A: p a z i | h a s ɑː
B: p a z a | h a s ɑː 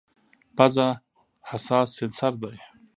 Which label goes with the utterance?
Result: B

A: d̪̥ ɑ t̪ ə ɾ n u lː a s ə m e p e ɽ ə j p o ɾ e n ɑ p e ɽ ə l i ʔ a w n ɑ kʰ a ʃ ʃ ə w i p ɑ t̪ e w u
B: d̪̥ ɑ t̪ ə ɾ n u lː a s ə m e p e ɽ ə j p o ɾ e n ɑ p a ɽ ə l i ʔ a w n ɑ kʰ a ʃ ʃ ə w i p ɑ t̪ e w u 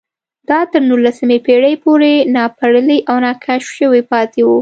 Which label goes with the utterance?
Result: B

